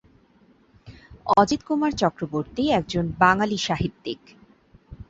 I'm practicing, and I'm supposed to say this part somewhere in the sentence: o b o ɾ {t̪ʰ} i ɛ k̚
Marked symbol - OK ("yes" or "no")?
no